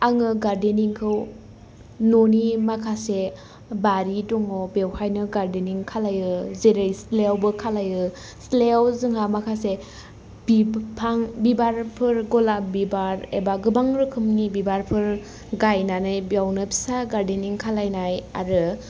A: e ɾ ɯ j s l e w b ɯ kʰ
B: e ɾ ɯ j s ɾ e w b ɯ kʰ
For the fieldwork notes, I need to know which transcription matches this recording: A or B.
A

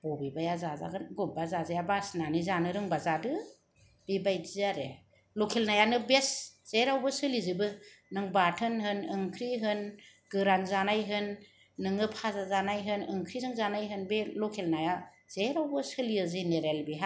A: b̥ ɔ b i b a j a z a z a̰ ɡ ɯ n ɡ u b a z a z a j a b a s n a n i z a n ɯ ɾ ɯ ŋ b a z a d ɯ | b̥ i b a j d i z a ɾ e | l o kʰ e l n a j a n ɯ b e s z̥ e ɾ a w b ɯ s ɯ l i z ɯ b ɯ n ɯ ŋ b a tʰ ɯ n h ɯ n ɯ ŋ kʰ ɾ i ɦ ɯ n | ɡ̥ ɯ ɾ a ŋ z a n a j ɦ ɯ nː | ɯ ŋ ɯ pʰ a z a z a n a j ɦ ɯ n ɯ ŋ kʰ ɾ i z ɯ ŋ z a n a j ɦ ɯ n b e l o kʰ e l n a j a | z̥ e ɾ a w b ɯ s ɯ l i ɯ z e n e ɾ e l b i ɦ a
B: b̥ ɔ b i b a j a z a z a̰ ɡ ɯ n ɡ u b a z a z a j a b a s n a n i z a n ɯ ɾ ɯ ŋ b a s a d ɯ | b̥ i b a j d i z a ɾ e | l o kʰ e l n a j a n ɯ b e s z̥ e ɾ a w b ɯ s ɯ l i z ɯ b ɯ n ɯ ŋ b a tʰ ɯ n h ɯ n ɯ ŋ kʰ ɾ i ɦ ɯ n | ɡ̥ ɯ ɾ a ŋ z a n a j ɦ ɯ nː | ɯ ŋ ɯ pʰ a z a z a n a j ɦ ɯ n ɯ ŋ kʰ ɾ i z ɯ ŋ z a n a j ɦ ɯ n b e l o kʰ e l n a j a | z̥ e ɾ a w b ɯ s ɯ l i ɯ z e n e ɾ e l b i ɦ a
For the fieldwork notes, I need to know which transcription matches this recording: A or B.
A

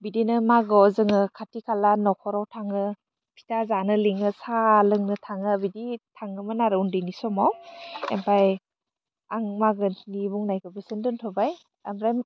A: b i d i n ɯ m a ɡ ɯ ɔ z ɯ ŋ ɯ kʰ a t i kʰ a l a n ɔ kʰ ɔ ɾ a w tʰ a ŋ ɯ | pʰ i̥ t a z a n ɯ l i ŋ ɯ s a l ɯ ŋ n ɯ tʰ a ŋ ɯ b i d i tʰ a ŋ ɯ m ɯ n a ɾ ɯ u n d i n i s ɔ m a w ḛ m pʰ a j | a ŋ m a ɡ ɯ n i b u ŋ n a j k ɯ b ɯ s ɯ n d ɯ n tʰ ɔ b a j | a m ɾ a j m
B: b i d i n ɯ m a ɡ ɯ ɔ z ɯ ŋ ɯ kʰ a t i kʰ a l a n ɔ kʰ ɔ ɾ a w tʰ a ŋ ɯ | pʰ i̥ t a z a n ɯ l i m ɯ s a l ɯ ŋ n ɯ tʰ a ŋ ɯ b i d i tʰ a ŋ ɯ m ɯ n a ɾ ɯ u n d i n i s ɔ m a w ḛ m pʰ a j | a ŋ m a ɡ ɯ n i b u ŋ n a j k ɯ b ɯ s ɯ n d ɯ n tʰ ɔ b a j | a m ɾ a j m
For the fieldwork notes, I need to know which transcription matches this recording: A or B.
A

